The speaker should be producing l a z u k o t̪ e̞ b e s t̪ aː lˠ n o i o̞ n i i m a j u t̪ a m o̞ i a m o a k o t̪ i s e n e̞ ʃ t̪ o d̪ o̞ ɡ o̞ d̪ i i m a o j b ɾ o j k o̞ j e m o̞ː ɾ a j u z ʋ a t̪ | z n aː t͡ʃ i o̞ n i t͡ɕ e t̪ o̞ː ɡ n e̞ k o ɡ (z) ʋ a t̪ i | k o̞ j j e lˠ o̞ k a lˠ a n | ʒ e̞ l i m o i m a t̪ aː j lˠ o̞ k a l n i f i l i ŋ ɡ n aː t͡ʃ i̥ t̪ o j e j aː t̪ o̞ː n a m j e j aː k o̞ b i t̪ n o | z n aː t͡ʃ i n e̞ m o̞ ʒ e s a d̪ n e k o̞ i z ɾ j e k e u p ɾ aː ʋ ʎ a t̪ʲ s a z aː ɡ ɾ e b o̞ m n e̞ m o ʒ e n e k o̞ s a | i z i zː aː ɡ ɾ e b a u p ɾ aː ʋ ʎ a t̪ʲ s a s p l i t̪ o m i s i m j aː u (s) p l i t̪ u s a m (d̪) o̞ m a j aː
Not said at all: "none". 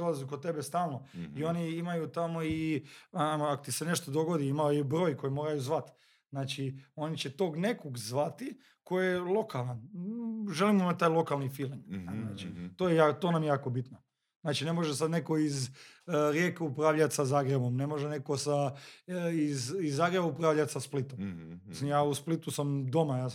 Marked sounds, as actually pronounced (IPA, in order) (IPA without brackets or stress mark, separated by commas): z, s, d̪